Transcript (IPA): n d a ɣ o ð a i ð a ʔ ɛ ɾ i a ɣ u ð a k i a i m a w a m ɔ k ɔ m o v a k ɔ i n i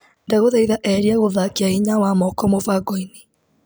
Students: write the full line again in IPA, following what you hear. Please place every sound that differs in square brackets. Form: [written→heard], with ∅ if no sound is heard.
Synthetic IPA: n d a ɣ o ð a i ð a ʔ ɛ ɾ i a ɣ [u→o] ð a k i a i [m→ɲ] a w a m ɔ k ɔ m o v a [k→ɡ] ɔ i n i